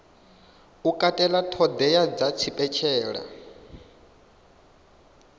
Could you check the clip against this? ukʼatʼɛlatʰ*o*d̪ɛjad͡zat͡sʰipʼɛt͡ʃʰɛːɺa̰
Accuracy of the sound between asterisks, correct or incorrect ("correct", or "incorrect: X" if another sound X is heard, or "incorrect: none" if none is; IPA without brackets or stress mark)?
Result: incorrect: ɔ